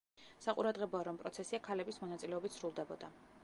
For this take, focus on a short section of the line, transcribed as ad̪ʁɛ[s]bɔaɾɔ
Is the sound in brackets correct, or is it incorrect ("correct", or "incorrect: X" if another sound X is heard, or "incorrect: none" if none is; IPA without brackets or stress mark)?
incorrect: none